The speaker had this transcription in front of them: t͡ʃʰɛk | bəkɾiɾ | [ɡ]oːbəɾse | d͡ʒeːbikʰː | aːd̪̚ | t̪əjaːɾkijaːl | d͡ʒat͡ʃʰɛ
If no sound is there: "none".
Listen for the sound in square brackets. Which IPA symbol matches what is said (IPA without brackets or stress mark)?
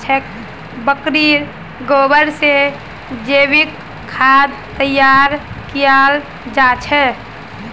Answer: ɡ